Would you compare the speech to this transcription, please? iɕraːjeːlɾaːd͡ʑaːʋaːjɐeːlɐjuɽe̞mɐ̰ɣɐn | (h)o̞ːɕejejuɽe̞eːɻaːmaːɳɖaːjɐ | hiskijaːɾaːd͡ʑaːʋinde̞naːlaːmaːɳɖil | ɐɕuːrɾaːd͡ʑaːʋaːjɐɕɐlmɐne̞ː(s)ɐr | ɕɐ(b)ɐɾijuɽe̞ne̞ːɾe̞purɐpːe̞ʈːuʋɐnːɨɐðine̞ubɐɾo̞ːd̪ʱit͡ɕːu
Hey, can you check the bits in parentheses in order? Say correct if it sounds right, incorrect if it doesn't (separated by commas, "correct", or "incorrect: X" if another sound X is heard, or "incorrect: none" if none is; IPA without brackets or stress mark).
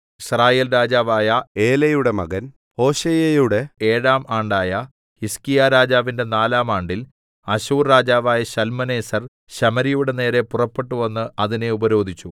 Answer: correct, correct, incorrect: m